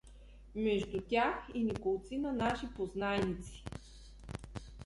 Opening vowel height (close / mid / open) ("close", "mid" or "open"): mid